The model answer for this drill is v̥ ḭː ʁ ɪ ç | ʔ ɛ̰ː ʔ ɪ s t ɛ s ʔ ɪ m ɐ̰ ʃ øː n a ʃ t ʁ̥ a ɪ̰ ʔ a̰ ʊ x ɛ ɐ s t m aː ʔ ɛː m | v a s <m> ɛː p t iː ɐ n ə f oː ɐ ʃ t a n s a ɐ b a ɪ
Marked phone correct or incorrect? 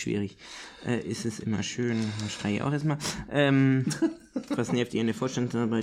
incorrect